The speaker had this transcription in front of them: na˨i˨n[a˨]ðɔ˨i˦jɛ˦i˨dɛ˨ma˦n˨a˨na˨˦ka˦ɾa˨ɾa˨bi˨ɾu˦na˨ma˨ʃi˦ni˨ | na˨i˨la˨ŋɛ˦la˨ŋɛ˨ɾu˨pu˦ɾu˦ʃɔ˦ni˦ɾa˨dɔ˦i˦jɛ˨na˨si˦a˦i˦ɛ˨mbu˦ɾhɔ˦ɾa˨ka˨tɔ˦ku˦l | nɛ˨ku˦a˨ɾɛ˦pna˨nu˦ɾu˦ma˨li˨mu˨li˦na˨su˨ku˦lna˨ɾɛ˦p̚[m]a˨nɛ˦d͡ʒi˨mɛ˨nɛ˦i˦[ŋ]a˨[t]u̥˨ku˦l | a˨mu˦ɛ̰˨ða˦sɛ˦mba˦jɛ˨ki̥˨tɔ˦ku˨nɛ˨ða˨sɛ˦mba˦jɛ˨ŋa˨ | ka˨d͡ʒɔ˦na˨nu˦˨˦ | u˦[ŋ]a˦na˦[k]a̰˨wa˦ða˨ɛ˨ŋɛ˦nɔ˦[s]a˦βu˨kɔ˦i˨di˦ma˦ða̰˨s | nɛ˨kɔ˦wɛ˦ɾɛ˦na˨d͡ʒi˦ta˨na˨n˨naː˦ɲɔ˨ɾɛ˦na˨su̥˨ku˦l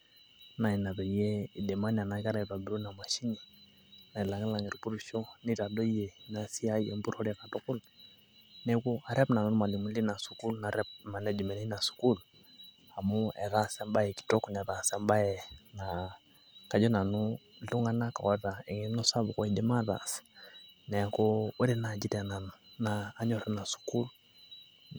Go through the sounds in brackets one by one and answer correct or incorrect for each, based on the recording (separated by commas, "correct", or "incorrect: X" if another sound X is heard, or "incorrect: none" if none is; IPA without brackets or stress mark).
correct, correct, incorrect: n, incorrect: s, correct, correct, correct